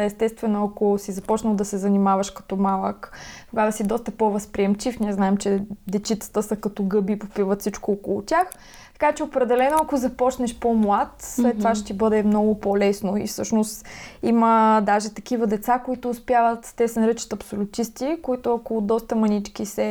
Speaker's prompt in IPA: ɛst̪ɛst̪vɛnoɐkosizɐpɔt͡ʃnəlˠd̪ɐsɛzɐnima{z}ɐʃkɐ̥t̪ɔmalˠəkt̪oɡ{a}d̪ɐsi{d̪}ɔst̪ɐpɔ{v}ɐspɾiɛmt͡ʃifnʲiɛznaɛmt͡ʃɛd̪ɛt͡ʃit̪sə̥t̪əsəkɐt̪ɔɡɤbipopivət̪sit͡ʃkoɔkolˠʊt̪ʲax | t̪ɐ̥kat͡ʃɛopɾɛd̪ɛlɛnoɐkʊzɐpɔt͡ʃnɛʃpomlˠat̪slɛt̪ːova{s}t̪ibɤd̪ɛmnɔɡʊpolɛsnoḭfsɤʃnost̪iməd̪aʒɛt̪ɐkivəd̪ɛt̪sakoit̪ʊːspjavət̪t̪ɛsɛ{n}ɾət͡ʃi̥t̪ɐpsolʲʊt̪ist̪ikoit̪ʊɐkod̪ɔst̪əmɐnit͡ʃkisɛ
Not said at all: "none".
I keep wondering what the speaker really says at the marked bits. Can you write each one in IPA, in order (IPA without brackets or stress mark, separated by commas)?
v, a, d̪, v, ʃ, n